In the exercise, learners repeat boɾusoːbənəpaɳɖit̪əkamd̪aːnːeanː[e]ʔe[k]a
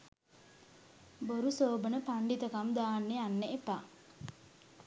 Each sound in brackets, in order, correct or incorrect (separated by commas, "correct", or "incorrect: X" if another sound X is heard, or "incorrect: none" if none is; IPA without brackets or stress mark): correct, incorrect: p